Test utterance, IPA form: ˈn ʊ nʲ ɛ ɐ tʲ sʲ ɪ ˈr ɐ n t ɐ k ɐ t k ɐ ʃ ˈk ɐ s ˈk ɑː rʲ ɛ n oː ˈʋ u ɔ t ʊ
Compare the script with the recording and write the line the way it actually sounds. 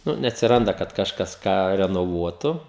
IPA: ˈn ʊ nʲ ɛ ɐ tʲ sʲ ɪ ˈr ɐ n d ɐ k ɐ t k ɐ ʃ ˈk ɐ s ˈk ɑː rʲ ɛ n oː ˈʋ u ɔ t ʊ